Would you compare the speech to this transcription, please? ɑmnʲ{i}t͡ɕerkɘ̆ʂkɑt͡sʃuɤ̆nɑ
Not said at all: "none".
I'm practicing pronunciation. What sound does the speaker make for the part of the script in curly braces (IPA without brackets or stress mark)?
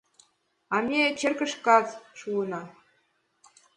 e